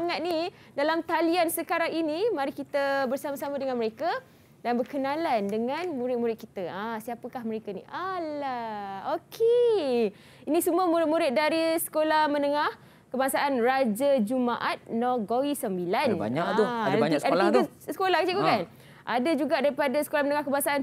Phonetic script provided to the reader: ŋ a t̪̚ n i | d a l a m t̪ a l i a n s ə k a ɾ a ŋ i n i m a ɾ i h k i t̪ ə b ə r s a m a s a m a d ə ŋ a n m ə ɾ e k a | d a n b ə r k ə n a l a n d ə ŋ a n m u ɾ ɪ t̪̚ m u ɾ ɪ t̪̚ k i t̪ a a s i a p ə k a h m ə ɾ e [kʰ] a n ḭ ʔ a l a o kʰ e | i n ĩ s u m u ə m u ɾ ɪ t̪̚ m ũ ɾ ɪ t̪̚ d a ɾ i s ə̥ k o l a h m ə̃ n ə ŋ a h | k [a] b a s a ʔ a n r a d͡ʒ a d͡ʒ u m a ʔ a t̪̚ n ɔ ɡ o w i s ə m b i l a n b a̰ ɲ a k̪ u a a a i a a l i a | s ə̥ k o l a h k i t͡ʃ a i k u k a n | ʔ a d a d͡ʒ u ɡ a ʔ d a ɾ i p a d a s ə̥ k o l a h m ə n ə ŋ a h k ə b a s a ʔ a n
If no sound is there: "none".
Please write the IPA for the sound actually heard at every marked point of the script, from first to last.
k, ə

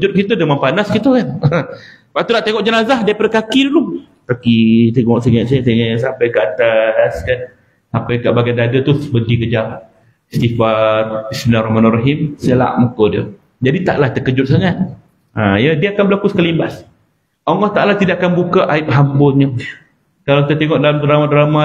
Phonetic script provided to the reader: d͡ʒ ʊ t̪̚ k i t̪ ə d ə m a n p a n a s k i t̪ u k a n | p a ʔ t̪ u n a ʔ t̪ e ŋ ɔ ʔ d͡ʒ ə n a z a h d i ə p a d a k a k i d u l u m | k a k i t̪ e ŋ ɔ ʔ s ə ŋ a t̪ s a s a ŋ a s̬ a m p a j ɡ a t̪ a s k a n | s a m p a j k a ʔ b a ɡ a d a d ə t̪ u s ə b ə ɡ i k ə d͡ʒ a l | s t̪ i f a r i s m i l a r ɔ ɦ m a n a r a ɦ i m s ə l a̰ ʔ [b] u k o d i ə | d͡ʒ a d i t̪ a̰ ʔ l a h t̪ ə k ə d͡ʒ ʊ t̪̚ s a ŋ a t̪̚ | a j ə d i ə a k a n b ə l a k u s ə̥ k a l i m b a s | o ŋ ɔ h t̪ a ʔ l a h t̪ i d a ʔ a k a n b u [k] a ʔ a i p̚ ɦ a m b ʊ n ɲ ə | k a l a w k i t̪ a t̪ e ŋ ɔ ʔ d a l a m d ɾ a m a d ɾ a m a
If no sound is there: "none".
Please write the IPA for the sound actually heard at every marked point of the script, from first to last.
m, k

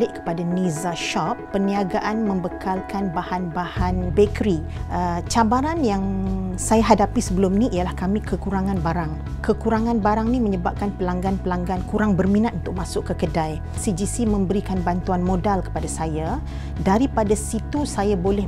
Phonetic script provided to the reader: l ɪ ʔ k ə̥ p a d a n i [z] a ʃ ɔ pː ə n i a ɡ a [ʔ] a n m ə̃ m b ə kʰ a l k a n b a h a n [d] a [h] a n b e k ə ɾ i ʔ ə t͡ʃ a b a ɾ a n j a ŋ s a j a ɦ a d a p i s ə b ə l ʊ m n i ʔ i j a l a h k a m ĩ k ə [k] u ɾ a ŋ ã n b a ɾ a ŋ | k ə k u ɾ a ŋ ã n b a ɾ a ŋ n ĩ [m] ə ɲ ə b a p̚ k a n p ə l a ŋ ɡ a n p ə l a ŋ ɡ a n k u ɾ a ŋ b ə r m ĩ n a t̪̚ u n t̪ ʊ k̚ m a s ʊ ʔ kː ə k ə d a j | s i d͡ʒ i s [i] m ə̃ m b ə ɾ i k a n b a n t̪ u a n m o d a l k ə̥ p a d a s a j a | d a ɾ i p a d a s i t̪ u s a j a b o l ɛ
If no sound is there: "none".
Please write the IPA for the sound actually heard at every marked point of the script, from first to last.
z, ʔ, b, h, k, m, i

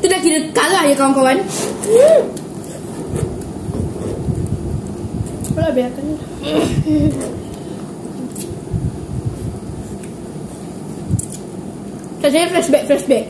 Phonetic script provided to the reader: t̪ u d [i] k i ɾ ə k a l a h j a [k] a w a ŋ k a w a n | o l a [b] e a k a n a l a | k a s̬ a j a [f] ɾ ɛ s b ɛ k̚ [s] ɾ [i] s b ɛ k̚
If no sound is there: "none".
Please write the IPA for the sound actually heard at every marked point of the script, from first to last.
a, k, b, f, f, ɛ

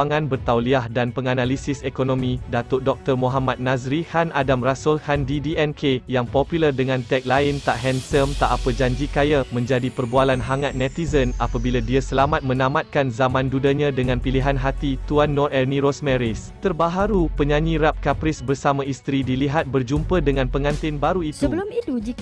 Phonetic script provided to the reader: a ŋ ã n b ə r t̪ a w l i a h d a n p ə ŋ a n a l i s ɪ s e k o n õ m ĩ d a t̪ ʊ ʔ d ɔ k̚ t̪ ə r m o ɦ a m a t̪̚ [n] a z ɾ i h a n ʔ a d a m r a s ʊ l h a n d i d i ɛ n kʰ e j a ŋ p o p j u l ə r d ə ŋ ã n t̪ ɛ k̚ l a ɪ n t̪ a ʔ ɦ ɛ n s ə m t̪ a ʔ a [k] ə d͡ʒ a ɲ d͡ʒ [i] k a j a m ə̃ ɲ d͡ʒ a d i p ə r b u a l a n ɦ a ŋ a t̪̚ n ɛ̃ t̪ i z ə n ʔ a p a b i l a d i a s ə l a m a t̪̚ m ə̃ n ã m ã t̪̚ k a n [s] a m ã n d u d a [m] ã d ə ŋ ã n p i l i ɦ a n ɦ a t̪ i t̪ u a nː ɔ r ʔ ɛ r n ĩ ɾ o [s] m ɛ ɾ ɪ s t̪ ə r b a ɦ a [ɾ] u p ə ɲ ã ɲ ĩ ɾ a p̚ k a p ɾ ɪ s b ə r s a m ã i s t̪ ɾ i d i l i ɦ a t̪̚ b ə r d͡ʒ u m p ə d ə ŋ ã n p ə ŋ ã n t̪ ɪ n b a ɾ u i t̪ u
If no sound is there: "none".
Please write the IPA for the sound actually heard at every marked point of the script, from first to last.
n, p, i, z, ɲ, s, ɾ

